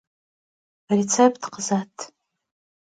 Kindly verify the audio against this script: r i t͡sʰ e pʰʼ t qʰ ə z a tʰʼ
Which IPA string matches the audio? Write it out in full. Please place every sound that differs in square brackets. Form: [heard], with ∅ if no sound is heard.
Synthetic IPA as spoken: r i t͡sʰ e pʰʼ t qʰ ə z a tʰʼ